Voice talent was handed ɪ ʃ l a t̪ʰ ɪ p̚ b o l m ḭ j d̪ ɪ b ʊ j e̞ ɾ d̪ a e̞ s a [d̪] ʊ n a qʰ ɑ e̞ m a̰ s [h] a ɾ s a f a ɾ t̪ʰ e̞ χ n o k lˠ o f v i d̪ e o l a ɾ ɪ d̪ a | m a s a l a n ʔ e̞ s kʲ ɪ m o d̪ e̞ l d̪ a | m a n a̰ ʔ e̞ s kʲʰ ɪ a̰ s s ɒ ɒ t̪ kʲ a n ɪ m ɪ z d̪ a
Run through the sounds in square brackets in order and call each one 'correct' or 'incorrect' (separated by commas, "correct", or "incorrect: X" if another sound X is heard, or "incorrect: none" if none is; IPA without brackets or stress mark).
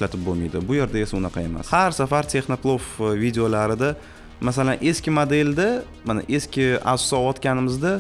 incorrect: none, correct